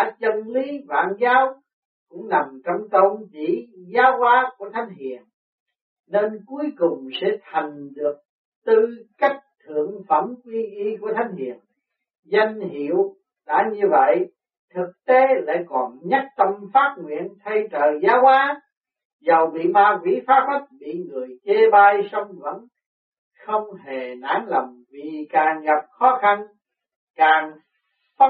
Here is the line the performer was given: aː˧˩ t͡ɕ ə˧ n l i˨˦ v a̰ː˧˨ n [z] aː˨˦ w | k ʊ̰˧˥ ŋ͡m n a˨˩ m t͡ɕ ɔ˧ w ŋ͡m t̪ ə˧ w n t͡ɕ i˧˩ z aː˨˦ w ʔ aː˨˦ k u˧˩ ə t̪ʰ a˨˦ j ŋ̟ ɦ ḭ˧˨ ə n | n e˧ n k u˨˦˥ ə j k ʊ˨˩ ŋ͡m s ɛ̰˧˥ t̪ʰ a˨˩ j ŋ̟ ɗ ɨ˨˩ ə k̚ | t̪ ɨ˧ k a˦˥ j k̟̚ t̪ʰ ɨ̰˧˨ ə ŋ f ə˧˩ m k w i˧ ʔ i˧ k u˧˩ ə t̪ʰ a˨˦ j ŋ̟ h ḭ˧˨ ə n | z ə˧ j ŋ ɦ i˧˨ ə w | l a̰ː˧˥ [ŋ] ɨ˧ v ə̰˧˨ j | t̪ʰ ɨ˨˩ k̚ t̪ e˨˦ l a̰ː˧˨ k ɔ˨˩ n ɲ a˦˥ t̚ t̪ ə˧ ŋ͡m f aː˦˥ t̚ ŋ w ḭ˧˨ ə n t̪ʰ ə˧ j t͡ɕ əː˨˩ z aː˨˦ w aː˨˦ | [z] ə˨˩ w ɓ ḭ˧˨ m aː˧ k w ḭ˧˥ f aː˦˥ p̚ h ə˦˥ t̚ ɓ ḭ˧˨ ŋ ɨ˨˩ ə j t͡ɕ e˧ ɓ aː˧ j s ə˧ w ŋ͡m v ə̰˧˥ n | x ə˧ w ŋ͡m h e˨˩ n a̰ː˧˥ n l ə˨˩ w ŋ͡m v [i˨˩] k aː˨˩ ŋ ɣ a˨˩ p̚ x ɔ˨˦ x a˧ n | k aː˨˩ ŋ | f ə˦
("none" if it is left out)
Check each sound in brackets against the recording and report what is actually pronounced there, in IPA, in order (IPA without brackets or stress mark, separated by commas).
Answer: z, ɲ, z, i˨˩